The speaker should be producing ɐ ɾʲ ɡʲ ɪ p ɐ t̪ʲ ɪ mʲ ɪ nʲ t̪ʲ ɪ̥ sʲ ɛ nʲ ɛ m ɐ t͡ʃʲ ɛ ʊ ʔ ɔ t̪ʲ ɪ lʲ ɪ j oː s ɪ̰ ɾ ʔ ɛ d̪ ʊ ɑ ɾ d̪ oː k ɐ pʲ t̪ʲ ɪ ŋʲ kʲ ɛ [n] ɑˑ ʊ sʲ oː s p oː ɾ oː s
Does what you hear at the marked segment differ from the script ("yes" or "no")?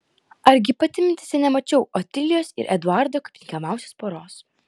yes